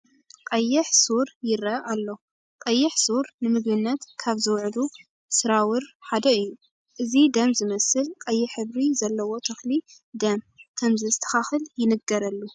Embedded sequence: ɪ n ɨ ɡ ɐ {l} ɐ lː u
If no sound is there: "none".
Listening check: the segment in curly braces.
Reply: ɾ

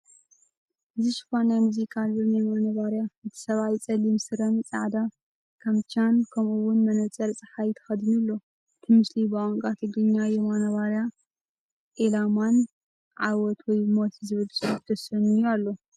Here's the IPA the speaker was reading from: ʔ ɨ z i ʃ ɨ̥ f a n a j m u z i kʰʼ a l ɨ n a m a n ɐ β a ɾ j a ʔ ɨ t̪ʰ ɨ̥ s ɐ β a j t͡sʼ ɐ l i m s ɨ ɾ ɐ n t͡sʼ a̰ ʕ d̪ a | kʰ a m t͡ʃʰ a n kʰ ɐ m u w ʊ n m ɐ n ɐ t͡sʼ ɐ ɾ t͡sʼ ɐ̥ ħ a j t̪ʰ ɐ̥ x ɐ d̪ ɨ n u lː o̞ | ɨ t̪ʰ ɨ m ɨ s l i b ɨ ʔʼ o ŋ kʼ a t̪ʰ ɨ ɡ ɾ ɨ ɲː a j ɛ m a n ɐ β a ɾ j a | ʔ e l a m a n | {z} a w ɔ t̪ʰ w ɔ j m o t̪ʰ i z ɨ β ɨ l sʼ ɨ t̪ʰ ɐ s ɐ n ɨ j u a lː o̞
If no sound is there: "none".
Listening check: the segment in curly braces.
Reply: ʕ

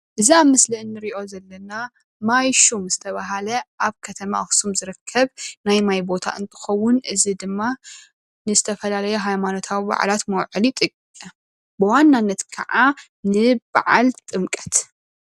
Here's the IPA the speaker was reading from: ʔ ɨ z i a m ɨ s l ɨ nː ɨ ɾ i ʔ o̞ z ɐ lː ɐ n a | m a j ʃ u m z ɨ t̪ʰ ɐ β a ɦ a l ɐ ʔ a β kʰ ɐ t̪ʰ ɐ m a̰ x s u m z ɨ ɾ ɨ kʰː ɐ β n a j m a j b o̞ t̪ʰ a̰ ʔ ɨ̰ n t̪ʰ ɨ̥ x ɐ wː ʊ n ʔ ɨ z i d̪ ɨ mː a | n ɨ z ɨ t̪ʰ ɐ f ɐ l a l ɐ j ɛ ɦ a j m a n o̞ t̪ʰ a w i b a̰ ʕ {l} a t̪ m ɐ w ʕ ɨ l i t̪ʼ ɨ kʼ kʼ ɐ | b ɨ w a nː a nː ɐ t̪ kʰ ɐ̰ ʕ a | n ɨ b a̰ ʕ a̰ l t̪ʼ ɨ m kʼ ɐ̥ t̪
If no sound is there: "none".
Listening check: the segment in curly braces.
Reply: l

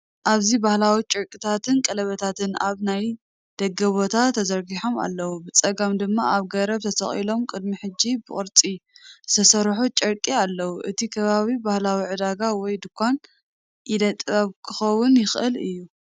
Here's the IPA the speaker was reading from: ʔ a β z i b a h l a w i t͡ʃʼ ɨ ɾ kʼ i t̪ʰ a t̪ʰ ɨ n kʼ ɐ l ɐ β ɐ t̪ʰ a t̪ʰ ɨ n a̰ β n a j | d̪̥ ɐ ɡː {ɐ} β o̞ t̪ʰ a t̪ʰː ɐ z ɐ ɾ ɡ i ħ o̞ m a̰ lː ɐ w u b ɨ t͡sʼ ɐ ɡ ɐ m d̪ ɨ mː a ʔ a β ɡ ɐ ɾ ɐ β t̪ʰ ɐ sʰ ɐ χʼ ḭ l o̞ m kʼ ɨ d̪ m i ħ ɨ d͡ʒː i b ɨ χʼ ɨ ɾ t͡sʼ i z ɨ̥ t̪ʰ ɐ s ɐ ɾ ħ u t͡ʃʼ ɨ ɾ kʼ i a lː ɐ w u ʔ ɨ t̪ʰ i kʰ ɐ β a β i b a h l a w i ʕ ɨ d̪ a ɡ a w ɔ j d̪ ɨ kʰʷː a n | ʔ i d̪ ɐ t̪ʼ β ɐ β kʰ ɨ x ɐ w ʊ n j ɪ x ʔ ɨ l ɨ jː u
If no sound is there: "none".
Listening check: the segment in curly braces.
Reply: ɐ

